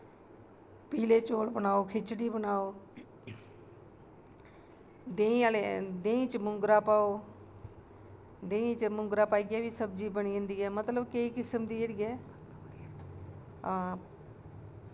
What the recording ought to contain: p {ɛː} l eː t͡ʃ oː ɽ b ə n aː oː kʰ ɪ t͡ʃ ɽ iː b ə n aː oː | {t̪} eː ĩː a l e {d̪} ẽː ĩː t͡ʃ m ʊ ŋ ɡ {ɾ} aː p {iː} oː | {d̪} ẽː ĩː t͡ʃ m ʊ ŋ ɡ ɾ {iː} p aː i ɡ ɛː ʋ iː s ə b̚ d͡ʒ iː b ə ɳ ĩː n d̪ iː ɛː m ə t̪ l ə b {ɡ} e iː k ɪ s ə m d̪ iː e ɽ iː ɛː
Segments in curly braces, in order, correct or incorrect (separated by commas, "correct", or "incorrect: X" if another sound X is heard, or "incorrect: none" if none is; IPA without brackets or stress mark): incorrect: iː, incorrect: d̪, correct, correct, incorrect: aː, correct, incorrect: aː, incorrect: k